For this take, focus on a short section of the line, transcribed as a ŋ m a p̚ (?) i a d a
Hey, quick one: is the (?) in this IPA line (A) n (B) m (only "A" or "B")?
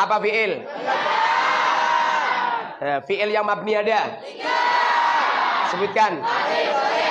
A